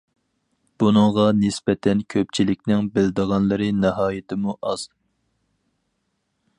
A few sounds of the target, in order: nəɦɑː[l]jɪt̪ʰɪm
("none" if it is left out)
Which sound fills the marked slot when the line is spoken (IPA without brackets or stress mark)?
none